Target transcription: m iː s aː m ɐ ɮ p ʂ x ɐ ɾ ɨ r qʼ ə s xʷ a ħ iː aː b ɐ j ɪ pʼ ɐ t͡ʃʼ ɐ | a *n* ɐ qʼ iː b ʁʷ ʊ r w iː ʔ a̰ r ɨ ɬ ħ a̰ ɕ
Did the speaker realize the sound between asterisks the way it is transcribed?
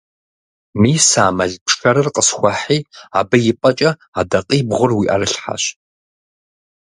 no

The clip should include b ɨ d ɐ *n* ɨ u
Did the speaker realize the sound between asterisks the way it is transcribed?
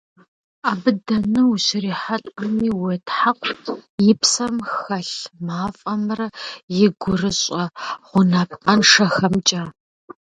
yes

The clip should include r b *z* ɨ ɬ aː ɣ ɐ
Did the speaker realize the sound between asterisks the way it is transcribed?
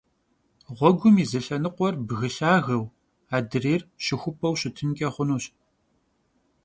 no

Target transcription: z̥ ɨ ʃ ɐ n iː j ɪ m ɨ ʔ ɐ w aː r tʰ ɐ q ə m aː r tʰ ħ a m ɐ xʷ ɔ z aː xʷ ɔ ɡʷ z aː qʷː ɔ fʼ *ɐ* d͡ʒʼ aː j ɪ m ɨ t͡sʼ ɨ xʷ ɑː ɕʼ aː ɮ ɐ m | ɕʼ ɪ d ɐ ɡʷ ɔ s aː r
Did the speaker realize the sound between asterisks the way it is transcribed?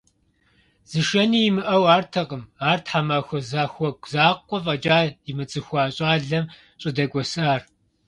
yes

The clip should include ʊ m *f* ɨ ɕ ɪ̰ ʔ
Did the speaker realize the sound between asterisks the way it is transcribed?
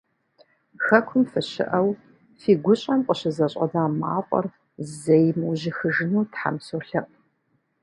yes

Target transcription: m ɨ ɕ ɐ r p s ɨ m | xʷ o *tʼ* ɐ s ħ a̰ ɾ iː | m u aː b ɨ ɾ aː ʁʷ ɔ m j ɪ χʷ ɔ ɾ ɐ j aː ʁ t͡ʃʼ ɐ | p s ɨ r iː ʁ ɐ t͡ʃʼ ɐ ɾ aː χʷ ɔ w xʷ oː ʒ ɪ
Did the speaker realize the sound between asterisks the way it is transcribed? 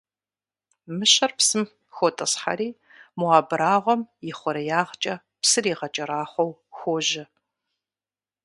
yes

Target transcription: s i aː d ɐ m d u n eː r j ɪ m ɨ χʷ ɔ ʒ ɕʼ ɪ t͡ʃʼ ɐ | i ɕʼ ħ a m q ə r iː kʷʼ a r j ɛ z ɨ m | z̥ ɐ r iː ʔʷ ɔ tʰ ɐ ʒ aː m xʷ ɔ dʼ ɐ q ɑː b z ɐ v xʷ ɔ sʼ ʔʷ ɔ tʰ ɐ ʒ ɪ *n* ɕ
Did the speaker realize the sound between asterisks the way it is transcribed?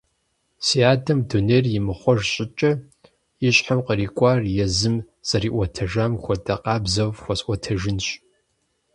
yes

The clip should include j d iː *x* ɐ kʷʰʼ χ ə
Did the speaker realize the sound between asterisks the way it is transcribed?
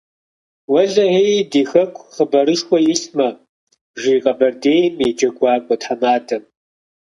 yes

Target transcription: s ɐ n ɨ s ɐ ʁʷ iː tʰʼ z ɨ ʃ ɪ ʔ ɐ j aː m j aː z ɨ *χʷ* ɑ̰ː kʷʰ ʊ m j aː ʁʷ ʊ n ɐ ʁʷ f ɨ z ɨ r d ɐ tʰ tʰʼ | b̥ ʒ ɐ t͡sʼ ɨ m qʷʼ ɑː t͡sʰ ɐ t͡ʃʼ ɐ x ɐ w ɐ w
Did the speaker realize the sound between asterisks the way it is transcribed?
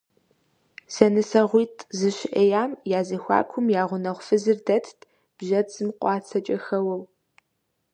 no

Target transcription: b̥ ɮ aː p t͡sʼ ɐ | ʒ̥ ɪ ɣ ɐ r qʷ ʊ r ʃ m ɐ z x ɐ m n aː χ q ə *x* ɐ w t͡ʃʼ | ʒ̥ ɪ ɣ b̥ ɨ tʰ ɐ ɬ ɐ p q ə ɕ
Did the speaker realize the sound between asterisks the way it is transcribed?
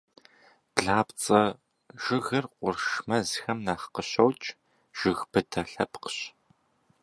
no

